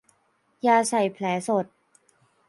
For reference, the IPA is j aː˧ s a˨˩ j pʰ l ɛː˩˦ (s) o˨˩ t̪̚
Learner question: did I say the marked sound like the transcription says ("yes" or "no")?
yes